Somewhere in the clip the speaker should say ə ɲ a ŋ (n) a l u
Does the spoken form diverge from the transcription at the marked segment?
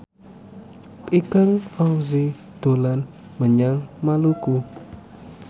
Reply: yes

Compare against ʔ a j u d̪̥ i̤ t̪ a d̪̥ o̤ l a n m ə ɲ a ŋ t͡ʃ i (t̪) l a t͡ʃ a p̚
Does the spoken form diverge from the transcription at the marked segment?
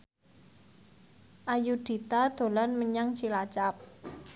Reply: yes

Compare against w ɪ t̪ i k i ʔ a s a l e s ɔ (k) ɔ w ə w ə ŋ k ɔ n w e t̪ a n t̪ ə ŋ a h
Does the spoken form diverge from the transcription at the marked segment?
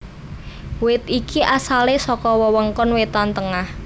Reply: no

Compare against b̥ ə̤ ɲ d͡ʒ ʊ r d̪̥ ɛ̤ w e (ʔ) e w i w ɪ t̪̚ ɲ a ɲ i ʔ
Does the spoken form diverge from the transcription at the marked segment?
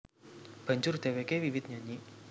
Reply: yes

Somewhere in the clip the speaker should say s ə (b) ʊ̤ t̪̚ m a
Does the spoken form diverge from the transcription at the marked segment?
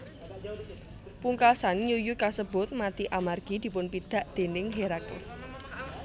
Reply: no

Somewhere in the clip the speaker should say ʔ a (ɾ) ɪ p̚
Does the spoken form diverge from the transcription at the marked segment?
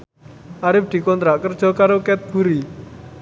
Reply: no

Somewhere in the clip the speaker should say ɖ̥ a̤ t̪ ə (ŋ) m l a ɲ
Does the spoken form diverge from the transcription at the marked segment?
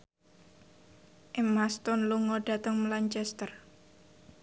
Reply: no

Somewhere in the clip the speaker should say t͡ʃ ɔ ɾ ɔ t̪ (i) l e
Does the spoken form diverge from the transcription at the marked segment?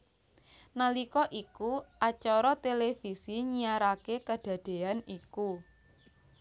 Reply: yes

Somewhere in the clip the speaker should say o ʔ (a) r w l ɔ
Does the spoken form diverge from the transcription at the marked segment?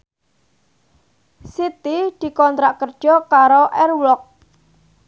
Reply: yes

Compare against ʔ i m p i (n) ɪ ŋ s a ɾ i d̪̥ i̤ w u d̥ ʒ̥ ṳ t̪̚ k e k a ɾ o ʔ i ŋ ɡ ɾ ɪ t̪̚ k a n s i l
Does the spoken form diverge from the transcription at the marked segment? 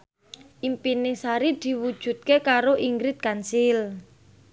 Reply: no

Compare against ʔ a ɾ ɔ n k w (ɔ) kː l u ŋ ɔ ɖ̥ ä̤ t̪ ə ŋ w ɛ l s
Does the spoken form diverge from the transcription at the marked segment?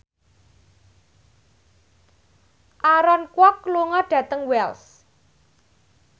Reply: no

